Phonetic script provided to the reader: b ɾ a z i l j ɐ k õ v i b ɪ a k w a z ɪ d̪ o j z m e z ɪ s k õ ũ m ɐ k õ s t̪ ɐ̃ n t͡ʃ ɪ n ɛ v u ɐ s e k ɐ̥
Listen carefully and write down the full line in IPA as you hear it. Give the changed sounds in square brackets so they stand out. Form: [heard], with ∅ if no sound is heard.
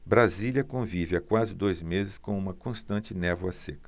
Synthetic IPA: b ɾ a z i l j ɐ k õ v i [v] ɪ a k w a z ɪ d̪ o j z m e z ɪ s k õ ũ m ɐ k õ s t̪ ɐ̃ n t͡ʃ ɪ n ɛ v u ɐ s e k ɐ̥